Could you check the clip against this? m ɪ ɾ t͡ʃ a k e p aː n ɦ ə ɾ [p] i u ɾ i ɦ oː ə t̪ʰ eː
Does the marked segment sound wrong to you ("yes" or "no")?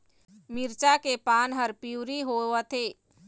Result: no